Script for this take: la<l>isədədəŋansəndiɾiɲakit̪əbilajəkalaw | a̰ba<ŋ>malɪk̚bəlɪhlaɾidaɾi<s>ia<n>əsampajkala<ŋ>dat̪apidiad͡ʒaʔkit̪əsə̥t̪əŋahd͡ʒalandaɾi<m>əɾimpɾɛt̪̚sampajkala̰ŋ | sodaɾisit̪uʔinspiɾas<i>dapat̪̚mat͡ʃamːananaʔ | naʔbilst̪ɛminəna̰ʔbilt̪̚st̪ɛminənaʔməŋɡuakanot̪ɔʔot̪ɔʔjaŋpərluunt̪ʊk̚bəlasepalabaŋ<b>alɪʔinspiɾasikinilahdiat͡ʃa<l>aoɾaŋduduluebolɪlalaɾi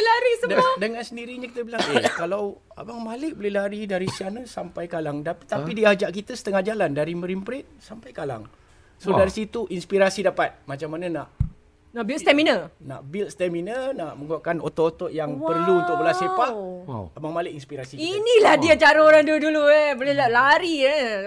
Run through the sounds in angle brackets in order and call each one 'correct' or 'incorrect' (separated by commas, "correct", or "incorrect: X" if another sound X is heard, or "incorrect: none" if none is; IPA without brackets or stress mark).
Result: incorrect: ɾ, correct, correct, correct, correct, correct, correct, incorrect: m, incorrect: ɾ